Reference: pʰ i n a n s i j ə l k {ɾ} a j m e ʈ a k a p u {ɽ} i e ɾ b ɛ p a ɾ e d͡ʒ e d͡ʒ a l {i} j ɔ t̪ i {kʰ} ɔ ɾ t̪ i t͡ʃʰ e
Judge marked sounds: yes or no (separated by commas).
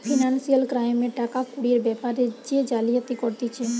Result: yes, yes, yes, no